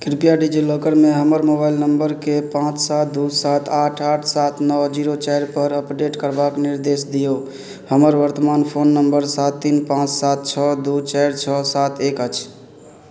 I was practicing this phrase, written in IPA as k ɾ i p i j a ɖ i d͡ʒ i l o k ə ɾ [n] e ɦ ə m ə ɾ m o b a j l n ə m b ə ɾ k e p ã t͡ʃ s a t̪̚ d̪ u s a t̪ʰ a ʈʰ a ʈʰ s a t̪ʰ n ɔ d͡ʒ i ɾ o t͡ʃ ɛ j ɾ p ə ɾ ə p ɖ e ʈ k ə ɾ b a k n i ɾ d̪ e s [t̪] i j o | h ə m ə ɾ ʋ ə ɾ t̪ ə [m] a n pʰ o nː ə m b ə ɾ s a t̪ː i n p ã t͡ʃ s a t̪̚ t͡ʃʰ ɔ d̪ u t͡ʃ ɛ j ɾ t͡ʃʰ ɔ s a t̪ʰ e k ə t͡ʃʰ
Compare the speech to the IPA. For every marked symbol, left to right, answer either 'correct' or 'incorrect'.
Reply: incorrect, incorrect, correct

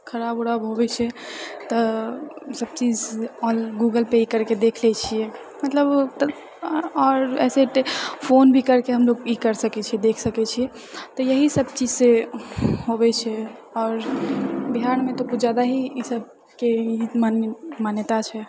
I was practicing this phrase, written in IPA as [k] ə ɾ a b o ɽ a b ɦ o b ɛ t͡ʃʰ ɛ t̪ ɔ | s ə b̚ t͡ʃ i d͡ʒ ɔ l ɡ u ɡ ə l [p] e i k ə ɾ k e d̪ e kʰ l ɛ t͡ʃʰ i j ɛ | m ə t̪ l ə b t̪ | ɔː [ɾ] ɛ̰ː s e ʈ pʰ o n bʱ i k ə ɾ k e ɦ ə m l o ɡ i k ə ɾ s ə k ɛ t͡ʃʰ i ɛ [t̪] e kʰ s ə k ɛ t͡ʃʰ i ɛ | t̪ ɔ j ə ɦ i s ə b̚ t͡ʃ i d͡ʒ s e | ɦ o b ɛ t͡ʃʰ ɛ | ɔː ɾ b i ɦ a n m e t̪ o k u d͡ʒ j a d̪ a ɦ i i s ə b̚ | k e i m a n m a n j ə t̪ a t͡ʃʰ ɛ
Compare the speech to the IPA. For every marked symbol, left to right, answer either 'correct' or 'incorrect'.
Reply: incorrect, correct, correct, incorrect

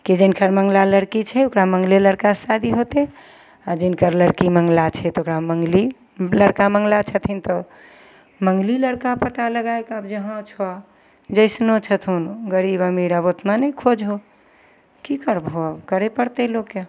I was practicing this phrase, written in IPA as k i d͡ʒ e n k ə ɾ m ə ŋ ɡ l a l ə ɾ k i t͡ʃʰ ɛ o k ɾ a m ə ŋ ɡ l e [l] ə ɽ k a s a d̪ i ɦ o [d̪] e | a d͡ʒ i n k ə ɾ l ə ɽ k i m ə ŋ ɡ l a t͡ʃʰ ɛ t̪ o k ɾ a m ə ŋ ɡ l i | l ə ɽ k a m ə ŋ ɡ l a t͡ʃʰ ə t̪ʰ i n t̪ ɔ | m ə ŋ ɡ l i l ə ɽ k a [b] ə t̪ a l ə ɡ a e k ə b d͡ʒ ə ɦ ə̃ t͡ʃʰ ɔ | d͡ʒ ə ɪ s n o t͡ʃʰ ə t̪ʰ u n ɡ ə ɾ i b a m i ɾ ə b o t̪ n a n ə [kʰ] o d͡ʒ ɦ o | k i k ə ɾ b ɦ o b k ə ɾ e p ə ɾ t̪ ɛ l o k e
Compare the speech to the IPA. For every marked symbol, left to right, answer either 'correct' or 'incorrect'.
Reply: correct, incorrect, incorrect, correct

